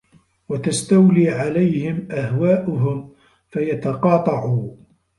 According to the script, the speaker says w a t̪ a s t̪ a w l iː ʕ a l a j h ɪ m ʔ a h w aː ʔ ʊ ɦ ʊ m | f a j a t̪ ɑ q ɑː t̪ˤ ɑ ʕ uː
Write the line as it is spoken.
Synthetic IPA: w a t̪ a s t̪ a w l iː ʕ a l a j h ɪ m ʔ a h w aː ʔ ʊ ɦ ʊ m | f a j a t̪ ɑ q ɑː t̪ˤ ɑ ʕ uː